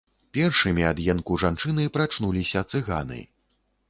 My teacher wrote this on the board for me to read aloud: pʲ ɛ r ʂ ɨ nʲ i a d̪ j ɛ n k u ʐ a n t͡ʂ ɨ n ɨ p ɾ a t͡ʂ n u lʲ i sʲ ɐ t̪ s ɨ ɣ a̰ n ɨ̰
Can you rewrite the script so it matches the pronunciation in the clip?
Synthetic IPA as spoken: pʲ ɛ r ʂ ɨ mʲ i a d̪ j ɛ n k u ʐ a n t͡ʂ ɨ n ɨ p ɾ a t͡ʂ n u lʲ i sʲ ɐ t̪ s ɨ ɣ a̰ n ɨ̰